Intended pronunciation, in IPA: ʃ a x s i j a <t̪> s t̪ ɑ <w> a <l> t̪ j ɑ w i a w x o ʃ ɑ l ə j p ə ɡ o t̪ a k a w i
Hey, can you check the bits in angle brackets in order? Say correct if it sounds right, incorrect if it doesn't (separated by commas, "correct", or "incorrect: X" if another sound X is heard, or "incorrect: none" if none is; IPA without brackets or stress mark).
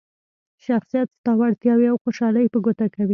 correct, correct, incorrect: ɽ